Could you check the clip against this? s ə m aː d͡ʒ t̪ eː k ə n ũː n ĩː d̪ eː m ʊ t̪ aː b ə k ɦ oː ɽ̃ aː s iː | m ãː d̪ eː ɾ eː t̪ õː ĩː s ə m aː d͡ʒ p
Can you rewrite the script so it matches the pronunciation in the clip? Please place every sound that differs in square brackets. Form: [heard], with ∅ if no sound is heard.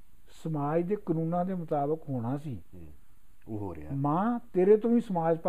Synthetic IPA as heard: s ə m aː d͡ʒ [d̪] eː k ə n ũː n [ãː] d̪ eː m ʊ t̪ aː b ə k ɦ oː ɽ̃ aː s iː | m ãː [t̪] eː ɾ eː t̪ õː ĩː s ə m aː d͡ʒ p